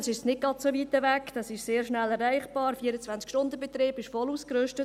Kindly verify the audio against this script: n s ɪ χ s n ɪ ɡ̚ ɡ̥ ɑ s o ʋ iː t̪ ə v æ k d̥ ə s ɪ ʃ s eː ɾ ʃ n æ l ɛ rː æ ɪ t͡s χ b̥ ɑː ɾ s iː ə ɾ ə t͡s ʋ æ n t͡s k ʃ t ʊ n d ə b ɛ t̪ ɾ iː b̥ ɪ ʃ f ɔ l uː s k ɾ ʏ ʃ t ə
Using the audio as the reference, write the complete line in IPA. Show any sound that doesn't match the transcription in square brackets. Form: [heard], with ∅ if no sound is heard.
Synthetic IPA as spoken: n s ɪ [ʃ] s n ɪ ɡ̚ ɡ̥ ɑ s o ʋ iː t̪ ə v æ k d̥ [ɑ] s ɪ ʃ s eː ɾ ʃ n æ l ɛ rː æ ɪ [∅] χ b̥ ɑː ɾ [f] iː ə ɾ ə t͡s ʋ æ n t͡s k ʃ t ʊ n d ə b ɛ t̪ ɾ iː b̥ ɪ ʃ f ɔ l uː s k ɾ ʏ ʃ t ə